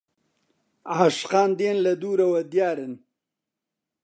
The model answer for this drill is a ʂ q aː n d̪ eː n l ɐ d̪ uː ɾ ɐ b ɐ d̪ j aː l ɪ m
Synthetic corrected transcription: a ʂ q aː n d̪ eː n l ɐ d̪ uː ɾ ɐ w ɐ d̪ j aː ɾ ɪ n